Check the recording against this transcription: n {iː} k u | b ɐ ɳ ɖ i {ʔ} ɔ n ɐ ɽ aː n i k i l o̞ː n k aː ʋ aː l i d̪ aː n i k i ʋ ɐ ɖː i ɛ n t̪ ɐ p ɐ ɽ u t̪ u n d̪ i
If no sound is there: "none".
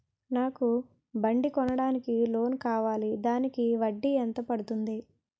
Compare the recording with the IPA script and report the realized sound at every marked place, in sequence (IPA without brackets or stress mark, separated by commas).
aː, k